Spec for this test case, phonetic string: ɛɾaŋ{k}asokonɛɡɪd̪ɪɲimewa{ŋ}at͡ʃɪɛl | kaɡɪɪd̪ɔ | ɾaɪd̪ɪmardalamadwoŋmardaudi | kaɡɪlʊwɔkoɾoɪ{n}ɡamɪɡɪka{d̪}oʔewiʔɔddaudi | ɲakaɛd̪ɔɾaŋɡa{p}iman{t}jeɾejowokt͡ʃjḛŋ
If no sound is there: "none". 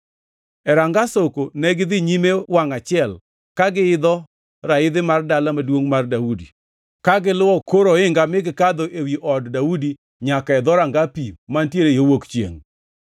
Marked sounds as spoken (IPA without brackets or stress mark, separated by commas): ɡ, ŋ, ŋ, d̪, p, t